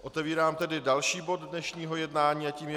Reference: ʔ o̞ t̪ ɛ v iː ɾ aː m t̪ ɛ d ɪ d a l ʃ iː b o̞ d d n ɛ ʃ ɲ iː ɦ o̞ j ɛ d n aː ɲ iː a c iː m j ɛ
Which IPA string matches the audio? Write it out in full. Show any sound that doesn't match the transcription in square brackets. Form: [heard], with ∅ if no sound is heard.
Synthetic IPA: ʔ o̞ t̪ ɛ v iː ɾ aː m t̪ ɛ d ɪ d a l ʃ iː b o̞ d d n ɛ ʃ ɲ iː ɦ o̞ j ɛ d n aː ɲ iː a c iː m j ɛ